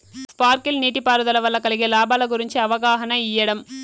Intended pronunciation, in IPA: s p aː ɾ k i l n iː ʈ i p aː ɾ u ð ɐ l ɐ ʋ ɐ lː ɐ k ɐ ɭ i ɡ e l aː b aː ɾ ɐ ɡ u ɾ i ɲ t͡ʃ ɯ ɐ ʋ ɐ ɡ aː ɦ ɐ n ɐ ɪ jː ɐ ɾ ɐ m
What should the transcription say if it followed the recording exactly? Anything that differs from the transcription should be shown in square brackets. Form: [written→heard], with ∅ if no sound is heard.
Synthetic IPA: s p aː ɾ k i l n iː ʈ i p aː ɾ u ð ɐ l ɐ ʋ ɐ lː ɐ k ɐ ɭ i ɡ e l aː b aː [ɾ→l] ɐ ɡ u ɾ i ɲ t͡ʃ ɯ ɐ ʋ ɐ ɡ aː ɦ ɐ n ɐ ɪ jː ɐ [ɾ→ɽ] ɐ m